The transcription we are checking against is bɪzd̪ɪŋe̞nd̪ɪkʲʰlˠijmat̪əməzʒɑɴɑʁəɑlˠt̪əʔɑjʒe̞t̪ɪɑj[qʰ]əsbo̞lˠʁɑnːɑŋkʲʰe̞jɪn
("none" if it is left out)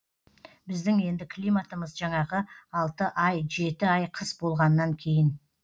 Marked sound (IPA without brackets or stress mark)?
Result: qʰ